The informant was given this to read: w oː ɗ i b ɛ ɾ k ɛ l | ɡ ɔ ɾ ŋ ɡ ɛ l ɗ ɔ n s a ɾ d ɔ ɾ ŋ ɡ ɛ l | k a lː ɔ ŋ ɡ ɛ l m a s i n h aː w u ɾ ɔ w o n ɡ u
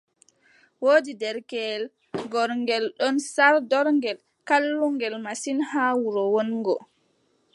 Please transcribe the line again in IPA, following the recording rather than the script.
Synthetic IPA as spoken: w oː d i d ɛ ɾ k ɛ l | ɡ ɔ ɾ ŋ ɡ ɛ l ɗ ɔ n s a ɾ d ɔ ɾ ŋ ɡ ɛ l | k a lː u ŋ ɡ ɛ l m a s i n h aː w u ɾ ɔ w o n ɡ ɔ